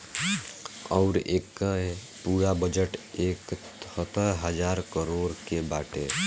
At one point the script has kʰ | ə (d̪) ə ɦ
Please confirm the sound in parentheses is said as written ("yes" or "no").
no